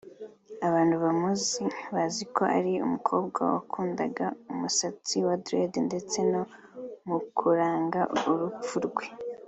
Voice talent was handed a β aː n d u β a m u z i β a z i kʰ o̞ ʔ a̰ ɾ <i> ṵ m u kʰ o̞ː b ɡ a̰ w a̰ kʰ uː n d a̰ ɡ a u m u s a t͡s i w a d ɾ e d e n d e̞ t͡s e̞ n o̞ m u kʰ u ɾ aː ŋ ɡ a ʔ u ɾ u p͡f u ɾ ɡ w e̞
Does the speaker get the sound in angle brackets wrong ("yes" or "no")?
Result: no